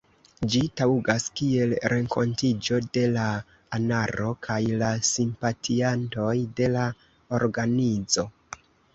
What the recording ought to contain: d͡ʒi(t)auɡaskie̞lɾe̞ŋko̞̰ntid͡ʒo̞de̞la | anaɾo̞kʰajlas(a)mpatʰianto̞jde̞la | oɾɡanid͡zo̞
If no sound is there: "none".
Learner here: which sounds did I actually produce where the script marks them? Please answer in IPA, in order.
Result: t, i

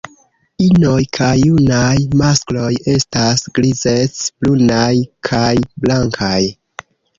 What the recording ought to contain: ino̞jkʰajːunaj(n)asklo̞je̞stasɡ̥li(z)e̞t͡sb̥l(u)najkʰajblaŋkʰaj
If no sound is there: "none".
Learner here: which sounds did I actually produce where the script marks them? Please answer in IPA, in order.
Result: m, z, u

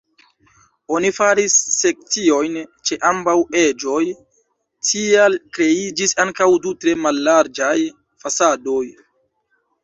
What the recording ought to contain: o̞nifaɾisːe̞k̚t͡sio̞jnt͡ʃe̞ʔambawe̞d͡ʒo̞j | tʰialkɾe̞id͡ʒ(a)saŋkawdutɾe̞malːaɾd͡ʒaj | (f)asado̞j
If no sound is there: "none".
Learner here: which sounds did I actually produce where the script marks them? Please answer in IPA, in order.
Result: i, f

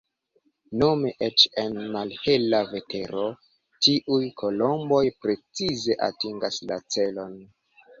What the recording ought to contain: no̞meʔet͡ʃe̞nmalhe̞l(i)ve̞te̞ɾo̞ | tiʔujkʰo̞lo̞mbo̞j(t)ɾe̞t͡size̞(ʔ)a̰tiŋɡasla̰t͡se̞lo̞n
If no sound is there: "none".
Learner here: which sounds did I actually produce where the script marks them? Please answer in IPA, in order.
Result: a, p, ʔ

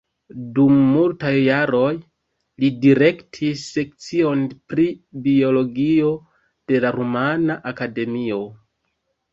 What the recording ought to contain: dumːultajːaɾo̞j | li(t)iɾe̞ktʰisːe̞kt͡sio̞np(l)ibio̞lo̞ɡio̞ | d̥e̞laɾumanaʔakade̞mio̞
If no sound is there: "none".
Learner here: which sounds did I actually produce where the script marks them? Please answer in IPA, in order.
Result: d, ɾ

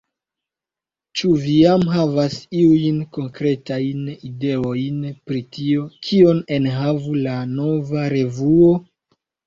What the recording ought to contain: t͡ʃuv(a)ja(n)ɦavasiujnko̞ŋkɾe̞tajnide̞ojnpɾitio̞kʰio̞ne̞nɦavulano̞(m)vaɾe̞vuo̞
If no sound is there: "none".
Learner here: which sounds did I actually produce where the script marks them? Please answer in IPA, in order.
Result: i, m, none

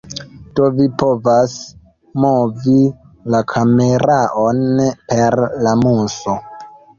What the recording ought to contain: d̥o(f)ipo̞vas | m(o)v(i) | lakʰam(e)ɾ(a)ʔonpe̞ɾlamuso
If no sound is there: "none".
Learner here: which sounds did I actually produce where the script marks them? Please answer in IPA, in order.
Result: v, o, i, e, a

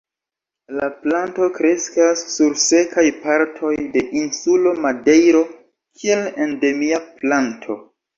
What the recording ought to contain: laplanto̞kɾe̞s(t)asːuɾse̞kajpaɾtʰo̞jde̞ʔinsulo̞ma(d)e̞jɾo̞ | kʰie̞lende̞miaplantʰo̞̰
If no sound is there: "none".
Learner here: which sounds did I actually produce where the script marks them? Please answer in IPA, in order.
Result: k, d

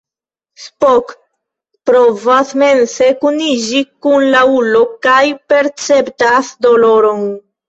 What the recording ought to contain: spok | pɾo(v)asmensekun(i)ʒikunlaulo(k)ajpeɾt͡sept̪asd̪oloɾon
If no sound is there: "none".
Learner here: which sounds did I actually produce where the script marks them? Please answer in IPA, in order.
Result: v, i, k

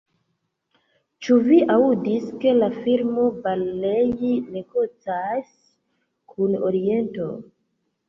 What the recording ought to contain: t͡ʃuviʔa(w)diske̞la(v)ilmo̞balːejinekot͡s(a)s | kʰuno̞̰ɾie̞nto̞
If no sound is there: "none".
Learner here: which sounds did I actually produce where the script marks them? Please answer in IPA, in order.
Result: u, f, a

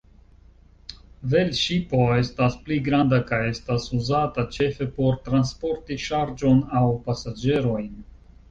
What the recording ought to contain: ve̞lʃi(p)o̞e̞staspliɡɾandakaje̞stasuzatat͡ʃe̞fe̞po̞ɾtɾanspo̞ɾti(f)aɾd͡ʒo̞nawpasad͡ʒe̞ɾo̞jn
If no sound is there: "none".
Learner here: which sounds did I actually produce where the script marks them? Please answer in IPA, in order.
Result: p, ʃ

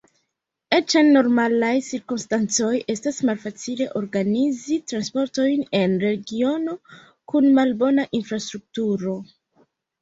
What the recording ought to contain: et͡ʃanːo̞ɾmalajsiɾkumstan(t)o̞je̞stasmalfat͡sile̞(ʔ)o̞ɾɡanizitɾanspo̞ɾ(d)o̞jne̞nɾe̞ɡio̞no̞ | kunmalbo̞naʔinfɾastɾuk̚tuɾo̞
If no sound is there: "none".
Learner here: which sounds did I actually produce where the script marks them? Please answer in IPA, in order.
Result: t͡s, ʔ, t

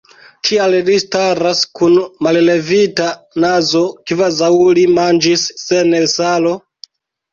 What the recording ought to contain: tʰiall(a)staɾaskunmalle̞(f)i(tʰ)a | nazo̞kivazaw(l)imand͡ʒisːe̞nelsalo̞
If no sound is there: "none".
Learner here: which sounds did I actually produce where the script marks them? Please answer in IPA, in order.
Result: i, v, t, l

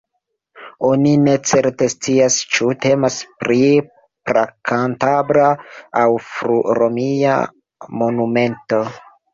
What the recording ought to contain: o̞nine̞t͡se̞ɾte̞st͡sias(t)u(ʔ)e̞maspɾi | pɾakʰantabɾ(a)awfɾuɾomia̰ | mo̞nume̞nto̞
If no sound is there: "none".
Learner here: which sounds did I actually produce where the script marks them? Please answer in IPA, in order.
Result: t͡ʃ, t, a

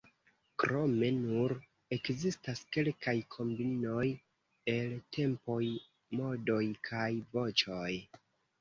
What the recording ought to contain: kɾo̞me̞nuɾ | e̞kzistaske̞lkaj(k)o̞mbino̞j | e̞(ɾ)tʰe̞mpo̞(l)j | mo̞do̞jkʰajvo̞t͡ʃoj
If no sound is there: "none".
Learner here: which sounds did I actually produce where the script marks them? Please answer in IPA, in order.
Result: kʰ, l, none

